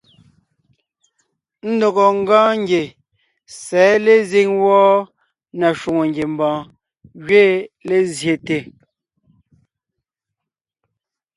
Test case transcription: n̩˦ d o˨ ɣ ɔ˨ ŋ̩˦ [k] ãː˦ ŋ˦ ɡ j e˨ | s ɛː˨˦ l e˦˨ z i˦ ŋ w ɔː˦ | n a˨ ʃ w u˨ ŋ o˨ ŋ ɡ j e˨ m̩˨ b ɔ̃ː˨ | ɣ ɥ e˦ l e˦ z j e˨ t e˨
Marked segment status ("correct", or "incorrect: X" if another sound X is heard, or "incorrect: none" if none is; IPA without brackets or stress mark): incorrect: ɡ